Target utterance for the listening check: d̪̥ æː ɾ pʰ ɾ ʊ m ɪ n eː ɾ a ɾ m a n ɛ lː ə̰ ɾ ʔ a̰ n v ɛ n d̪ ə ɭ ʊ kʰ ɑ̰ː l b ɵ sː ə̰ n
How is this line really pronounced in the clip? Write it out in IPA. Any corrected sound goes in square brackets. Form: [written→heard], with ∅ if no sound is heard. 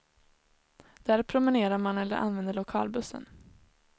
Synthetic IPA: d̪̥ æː ɾ pʰ ɾ ʊ m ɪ n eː ɾ a ɾ m a n ɛ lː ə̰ ɾ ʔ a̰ n v ɛ n d̪ ə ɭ ʊ kʰ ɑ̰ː l b ɵ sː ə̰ n